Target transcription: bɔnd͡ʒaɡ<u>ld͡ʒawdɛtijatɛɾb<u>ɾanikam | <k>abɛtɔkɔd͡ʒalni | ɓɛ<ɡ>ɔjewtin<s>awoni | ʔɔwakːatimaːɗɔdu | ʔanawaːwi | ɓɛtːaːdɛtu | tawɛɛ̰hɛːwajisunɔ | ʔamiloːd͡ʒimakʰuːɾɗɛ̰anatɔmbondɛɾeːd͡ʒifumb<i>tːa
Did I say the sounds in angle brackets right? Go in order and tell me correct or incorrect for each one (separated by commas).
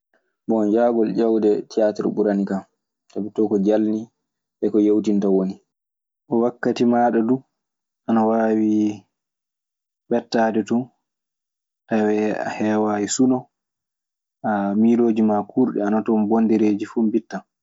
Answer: incorrect, correct, incorrect, incorrect, incorrect, correct